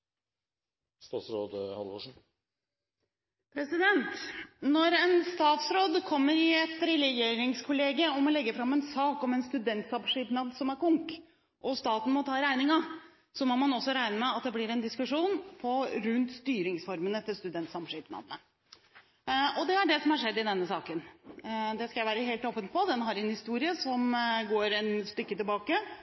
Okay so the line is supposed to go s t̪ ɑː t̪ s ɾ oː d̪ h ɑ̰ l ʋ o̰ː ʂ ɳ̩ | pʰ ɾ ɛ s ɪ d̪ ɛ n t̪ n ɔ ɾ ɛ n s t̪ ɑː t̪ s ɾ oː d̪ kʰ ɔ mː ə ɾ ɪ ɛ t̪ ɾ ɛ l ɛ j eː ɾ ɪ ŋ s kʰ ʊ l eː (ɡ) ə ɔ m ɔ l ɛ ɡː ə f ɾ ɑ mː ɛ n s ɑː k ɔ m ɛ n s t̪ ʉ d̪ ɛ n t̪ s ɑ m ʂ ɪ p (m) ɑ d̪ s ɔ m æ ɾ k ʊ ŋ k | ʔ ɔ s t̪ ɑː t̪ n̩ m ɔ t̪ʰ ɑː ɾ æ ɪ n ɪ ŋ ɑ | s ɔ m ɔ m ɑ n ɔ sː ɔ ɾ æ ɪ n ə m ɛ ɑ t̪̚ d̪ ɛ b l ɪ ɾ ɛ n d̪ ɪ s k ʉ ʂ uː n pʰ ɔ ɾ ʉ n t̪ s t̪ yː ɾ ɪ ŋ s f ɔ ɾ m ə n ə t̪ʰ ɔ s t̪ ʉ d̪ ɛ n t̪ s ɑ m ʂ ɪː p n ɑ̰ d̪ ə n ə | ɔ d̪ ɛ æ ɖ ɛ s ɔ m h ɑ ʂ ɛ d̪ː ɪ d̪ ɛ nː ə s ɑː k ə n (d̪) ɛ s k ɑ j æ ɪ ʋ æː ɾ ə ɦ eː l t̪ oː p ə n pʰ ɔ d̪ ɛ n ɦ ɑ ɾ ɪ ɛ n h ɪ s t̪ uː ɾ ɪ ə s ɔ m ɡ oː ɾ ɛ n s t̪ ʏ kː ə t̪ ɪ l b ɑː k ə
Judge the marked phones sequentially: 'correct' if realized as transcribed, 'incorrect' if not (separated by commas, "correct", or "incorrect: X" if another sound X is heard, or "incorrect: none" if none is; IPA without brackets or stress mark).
correct, incorrect: n, correct